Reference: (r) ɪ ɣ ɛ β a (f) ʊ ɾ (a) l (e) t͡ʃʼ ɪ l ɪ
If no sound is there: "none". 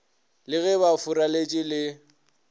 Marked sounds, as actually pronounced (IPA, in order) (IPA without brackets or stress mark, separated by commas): l, f, a, e